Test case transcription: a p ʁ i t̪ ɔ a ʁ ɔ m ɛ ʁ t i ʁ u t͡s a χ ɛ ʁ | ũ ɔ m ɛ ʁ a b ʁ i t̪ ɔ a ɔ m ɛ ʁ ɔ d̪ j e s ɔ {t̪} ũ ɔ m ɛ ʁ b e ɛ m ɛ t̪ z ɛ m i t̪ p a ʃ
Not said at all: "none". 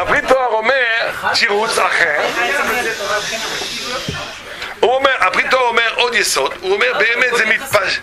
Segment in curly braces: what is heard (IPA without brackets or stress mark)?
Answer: d̪